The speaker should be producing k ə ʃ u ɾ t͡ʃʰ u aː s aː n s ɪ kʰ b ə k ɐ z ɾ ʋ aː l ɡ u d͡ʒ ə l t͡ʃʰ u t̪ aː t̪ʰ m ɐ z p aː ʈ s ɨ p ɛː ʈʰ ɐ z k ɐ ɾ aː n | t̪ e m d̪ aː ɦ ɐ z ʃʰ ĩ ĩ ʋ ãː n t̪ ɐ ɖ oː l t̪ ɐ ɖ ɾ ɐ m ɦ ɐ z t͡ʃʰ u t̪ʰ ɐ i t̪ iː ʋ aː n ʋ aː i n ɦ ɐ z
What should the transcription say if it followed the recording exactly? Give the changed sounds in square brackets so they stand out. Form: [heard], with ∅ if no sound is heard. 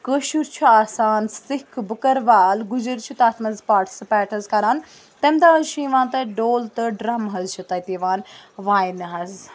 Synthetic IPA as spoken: k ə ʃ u ɾ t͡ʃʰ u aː s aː n s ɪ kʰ b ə k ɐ [∅] ɾ ʋ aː l ɡ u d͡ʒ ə [ɾ] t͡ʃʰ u t̪ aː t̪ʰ m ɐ z p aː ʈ s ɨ p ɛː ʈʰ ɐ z k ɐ ɾ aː n | t̪ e m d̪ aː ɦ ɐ z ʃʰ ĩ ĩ ʋ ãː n t̪ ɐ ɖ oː l t̪ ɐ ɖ ɾ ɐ m ɦ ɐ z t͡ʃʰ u [t̪] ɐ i t̪ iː ʋ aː n ʋ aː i n ɦ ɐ z